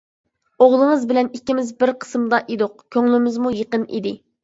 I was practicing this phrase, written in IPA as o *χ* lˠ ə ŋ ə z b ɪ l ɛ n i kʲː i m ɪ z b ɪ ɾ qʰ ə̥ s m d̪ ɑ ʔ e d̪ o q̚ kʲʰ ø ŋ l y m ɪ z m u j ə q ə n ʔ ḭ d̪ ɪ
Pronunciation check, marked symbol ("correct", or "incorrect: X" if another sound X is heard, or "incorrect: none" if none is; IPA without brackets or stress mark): incorrect: ʁ